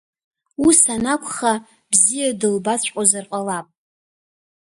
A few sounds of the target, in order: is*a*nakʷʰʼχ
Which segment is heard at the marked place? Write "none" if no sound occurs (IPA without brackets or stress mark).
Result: a